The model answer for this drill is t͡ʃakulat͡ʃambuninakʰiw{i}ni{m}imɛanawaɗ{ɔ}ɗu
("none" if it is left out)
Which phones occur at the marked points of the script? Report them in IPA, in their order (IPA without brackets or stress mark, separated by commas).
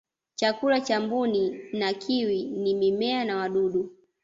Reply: i, m, u